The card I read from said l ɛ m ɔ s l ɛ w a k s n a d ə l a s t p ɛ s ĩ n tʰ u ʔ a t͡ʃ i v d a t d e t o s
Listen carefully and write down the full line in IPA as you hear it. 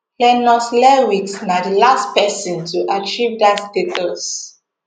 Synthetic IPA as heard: l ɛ n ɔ s l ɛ w i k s n a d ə l a s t p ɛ s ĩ n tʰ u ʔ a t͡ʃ i v d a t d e t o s